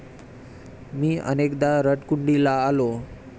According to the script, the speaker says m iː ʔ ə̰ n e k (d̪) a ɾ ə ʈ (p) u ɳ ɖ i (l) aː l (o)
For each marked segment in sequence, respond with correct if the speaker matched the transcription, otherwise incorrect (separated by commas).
correct, incorrect, correct, correct